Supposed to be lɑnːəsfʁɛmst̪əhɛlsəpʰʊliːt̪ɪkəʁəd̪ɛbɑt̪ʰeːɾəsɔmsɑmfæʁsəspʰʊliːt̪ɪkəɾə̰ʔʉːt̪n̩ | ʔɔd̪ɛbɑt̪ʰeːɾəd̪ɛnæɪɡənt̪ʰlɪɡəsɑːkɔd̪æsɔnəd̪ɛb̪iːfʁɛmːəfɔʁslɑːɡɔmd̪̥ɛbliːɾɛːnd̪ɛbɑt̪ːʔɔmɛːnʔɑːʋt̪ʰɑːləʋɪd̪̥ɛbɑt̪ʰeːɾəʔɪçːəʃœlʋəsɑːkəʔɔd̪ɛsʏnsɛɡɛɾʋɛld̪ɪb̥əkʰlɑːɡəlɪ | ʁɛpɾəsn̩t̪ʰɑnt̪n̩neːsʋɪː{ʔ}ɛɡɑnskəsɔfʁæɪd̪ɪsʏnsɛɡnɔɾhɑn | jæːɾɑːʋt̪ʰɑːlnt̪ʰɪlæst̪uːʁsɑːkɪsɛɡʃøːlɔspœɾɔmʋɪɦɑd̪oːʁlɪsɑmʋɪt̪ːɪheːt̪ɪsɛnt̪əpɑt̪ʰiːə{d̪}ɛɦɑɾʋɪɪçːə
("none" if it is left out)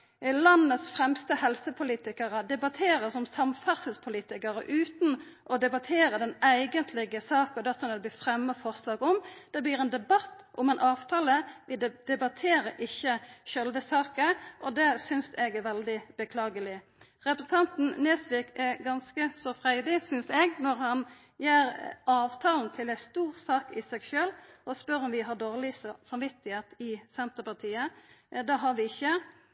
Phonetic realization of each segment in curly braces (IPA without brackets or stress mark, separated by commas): k, d̪